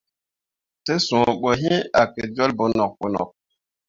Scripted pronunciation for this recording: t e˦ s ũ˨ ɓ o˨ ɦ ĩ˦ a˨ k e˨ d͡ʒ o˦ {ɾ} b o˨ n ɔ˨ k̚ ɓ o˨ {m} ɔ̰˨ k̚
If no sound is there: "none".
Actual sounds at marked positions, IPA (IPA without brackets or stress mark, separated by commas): l, n